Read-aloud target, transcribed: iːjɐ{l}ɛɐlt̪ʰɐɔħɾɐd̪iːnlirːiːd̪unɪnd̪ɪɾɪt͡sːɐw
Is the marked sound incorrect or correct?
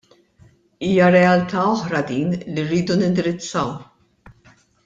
incorrect